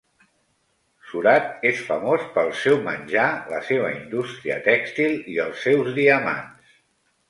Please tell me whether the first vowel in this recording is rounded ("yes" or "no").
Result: yes